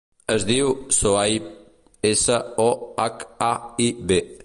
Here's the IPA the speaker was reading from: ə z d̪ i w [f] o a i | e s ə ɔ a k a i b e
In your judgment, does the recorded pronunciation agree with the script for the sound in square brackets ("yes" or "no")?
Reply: no